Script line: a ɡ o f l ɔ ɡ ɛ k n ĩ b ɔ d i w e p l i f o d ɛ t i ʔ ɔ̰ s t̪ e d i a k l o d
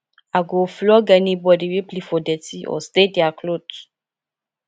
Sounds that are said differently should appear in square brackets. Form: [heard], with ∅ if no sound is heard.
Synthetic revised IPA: a ɡ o f l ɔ ɡ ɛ [∅] n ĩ b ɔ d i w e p l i f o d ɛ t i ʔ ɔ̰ s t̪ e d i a k l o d